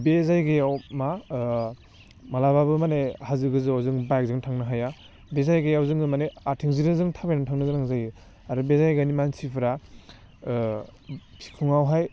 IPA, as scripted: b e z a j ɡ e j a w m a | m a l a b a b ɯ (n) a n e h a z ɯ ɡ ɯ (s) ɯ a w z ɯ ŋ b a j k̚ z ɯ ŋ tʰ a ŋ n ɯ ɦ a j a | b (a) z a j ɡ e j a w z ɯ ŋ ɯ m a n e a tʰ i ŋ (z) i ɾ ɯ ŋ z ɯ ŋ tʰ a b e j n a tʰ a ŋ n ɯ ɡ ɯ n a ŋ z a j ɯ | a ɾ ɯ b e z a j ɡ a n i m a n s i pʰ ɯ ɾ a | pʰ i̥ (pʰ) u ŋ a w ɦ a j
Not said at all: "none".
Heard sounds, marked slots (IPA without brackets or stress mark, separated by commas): m, z, e, z, kʰ